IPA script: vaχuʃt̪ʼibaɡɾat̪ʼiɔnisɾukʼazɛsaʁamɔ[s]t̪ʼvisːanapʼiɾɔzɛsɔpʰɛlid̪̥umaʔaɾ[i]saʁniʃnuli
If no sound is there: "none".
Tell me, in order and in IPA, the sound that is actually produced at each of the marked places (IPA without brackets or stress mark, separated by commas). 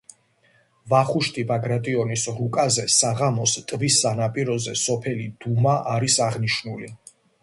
s, i